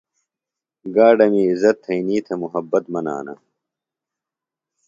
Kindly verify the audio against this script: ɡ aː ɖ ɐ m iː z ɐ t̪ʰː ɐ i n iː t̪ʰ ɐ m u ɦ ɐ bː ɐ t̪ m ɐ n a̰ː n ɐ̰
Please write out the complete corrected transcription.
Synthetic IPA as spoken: ɡ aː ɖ ɐ m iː z ɐ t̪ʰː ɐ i n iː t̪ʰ ɐ m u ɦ ɐ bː ɐ t̪ m ɐ n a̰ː n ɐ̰